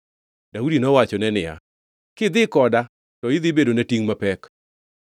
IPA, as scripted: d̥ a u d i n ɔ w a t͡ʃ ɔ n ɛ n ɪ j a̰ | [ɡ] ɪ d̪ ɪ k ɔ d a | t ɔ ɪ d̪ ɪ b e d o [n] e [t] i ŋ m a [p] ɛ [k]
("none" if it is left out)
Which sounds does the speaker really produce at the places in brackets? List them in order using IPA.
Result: k, n, t, p, k

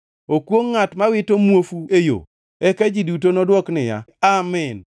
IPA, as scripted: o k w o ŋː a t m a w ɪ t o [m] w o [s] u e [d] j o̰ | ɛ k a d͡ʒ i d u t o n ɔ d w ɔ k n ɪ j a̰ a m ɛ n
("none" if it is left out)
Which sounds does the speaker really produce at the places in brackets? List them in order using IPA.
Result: m, f, none

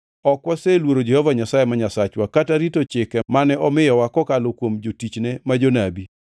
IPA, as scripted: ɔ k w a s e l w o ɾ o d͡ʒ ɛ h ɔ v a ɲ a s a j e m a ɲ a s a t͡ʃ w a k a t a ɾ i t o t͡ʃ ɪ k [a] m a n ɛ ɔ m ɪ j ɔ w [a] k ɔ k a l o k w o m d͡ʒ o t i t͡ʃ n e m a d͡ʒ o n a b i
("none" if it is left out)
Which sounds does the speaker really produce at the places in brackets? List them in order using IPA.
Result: ɛ, a

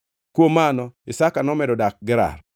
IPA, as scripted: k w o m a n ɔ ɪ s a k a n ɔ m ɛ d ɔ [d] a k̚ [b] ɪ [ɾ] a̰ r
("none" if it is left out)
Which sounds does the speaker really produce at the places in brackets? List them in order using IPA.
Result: d, ɡ, ɾ

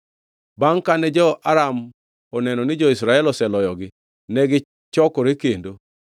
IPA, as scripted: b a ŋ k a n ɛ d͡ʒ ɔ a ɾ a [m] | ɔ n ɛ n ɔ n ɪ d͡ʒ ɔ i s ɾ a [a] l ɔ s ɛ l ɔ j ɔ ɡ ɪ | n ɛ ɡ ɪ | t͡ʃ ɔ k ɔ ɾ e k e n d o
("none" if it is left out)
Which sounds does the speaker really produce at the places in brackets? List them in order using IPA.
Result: m, ɛ

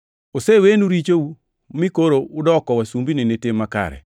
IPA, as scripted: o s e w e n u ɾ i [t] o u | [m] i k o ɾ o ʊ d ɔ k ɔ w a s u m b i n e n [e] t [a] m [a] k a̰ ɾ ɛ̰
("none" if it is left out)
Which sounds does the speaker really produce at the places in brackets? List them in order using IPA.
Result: t͡ʃ, m, e, e, a

